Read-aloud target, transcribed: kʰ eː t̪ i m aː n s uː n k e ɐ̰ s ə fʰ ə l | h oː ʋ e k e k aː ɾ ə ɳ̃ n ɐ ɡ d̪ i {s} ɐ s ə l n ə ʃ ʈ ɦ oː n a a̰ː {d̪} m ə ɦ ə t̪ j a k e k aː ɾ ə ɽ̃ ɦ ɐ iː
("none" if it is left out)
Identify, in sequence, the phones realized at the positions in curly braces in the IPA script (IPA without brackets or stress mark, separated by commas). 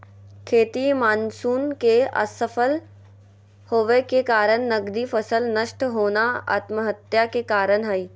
f, t̪